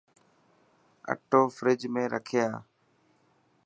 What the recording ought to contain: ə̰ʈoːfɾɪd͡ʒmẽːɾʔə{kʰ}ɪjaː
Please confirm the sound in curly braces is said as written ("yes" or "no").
yes